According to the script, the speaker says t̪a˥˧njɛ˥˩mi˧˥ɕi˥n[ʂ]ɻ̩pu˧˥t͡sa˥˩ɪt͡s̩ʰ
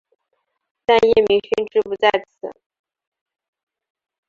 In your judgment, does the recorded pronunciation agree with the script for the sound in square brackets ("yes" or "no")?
no